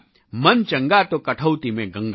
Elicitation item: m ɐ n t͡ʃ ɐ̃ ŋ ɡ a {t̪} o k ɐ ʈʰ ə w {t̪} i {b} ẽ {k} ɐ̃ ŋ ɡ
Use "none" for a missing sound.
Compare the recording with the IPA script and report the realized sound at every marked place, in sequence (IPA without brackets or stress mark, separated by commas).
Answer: t̪, t̪, m, ɡ